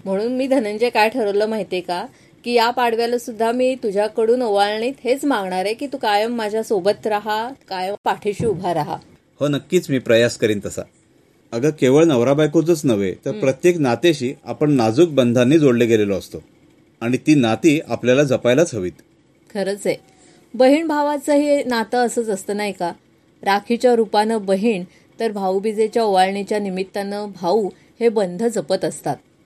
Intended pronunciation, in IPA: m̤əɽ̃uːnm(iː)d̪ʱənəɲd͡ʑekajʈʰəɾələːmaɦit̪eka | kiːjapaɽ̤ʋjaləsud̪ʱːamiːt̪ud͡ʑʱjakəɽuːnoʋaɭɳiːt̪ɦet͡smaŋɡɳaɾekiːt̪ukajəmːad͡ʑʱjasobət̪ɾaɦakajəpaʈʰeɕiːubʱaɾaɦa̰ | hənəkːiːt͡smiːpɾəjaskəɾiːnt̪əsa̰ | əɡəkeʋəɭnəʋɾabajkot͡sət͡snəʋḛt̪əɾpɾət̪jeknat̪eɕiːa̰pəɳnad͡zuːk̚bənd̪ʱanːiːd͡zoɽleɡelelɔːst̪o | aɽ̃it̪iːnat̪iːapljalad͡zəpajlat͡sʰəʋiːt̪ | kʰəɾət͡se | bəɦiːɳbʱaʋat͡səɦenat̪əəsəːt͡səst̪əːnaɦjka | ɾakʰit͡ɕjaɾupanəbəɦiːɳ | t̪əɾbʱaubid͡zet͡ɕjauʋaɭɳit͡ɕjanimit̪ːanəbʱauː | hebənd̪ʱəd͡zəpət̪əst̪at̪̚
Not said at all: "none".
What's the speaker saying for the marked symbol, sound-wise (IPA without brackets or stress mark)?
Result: iː